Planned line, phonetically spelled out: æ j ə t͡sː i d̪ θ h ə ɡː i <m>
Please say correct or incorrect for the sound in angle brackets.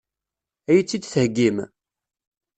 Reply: correct